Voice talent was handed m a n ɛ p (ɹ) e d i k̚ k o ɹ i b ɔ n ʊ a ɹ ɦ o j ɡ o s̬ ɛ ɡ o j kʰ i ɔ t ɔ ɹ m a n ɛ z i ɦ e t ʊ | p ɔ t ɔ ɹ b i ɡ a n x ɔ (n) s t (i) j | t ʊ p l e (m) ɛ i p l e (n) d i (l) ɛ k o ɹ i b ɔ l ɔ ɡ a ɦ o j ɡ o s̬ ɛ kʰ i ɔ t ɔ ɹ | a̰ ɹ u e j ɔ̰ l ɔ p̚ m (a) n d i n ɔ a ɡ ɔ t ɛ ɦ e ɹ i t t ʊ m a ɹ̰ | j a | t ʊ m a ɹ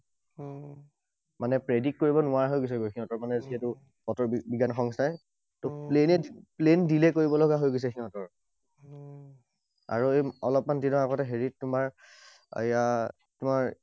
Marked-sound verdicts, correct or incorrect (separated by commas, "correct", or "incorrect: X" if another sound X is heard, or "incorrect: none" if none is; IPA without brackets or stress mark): correct, incorrect: ŋ, incorrect: a, incorrect: n, correct, correct, correct